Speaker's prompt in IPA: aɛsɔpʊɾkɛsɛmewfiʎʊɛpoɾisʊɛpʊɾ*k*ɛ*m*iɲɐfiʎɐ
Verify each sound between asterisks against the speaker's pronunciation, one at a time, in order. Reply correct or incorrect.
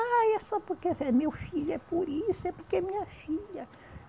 correct, correct

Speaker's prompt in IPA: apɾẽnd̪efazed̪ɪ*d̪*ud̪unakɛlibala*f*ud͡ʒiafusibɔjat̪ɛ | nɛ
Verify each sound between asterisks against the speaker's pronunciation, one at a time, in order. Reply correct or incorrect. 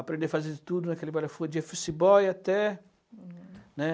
incorrect: t̪, correct

